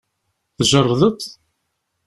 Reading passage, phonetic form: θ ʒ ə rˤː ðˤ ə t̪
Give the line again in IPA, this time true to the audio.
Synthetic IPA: θ ʒ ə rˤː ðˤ ə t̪